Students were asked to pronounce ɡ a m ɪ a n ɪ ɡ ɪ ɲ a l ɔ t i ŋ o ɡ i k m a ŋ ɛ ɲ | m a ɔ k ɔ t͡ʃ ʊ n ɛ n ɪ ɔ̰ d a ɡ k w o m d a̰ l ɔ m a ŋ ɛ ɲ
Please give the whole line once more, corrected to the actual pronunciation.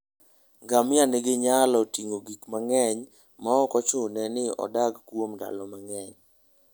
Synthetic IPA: ɡ a m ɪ a n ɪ ɡ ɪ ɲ a l ɔ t i ŋ o ɡ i k m a ŋ ɛ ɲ | m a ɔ k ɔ t͡ʃ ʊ n ɛ n ɪ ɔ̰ d a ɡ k w o m d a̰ l ɔ m a ŋ ɛ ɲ